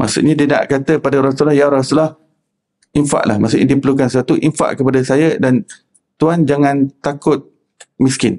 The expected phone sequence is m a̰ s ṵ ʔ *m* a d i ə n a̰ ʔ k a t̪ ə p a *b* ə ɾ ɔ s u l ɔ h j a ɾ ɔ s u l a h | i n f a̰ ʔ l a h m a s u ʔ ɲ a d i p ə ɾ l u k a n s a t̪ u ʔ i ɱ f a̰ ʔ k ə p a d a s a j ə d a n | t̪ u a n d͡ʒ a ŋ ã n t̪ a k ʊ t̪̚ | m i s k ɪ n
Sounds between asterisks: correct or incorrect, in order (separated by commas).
incorrect, incorrect